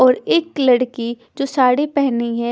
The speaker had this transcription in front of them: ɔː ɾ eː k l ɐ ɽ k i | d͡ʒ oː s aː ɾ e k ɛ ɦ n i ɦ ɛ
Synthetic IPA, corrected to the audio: ɔː ɾ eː k l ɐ ɽ k i | d͡ʒ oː s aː ɽ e p ɛ ɦ n i ɦ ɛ